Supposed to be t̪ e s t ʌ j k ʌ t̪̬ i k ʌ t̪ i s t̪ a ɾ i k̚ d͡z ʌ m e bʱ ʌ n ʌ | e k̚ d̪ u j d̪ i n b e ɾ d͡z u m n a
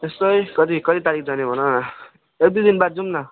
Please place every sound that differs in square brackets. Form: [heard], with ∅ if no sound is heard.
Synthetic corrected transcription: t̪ e s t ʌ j k ʌ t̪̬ i k ʌ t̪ i [∅] t̪ a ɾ i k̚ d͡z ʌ [n] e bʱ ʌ n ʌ | e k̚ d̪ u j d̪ i n b [a] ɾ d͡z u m n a